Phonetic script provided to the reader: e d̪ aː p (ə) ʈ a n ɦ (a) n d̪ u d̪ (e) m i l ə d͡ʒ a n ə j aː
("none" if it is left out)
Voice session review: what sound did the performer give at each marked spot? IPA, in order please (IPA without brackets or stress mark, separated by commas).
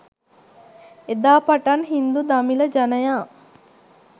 a, i, a